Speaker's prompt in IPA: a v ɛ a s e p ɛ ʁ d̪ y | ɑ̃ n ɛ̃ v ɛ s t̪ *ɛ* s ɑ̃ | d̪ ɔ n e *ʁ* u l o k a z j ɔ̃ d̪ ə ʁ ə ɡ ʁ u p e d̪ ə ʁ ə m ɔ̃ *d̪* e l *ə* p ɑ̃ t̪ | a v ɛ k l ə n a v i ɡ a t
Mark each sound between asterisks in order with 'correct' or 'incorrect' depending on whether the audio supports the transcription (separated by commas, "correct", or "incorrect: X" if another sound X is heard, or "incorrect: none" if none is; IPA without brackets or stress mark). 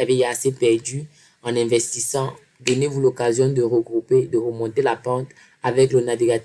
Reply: incorrect: i, incorrect: v, incorrect: t̪, incorrect: a